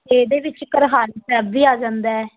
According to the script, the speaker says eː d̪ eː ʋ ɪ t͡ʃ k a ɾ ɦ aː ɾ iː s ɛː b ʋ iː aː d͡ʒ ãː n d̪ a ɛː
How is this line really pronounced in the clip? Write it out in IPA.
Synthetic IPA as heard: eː d̪ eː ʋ ɪ t͡ʃ k ə ɾ ɦ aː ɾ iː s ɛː b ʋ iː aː d͡ʒ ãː n d̪ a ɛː